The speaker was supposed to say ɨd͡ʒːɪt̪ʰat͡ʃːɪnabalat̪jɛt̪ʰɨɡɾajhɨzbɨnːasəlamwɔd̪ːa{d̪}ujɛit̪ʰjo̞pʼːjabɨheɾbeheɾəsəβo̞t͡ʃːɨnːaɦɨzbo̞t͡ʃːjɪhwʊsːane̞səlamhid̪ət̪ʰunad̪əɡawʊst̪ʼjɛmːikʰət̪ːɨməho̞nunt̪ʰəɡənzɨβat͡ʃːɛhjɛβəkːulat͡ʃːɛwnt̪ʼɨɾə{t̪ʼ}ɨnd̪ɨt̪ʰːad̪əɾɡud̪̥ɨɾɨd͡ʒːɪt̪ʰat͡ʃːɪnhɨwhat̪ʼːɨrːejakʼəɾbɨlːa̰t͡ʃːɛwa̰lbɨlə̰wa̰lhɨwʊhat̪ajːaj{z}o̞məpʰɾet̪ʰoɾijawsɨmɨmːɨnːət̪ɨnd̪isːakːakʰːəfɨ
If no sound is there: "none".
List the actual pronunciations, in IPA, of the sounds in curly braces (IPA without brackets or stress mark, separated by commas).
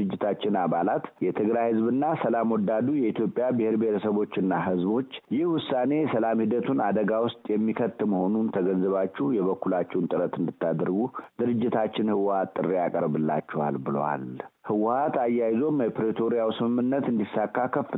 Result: d̪, t̪, z